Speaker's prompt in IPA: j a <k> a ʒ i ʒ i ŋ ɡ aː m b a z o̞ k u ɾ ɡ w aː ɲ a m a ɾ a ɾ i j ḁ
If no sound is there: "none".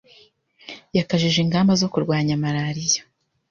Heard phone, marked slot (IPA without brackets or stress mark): k